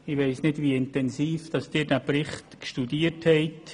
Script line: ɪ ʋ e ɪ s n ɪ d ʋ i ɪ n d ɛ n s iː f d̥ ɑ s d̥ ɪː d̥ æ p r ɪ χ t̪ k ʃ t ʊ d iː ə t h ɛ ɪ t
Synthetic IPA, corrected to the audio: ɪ ʋ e ɪ s n ɪ d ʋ i ɪ n t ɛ n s iː f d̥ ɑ s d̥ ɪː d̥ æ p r ɪ χ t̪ k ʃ t u d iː ə t h ɛ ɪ t